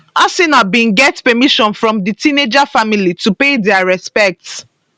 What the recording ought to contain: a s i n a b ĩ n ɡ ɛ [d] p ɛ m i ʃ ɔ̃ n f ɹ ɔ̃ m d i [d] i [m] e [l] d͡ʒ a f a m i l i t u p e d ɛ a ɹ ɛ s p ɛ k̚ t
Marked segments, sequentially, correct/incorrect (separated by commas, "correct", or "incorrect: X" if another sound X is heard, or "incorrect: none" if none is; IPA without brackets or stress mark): incorrect: t, incorrect: t, incorrect: n, incorrect: none